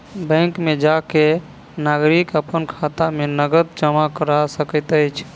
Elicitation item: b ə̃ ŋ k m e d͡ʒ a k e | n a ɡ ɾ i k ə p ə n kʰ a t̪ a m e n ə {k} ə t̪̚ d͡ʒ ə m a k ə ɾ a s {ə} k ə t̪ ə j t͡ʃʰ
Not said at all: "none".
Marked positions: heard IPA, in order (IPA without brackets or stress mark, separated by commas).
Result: ɡ, ə